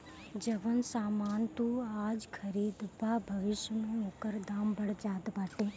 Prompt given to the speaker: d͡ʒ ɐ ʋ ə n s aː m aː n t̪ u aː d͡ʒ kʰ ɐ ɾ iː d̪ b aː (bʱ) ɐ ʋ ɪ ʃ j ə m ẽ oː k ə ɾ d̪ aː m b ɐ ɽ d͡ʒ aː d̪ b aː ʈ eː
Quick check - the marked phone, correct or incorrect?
correct